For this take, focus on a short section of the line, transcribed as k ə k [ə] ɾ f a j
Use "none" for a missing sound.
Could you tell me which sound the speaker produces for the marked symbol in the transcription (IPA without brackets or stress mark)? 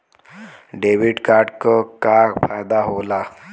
a